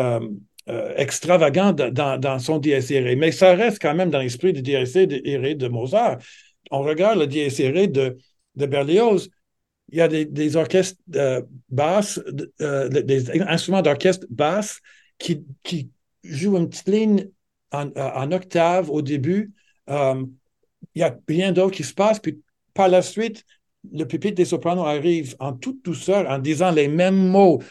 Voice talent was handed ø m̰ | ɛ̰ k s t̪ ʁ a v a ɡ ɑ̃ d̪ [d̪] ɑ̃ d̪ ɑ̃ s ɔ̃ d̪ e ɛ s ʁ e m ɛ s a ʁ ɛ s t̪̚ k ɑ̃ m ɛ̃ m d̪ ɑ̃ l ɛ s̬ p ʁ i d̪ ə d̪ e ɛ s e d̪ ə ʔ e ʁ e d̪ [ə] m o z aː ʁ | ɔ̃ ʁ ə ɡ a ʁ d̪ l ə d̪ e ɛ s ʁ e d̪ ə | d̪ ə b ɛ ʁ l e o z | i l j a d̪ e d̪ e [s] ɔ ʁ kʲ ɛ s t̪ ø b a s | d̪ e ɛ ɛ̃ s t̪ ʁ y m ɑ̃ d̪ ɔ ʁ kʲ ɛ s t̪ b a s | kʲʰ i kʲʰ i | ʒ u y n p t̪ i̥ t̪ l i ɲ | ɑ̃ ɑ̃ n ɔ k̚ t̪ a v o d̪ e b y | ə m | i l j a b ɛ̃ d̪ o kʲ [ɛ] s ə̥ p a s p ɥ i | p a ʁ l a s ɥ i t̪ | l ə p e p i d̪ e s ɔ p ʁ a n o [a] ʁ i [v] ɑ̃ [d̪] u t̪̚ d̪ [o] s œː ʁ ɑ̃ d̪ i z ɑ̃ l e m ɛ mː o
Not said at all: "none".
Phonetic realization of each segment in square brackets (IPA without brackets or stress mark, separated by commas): d̪, ə, z, i, a, v, t̪, u